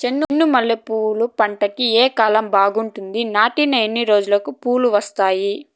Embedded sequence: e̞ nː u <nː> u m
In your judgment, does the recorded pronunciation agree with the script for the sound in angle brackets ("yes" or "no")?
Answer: yes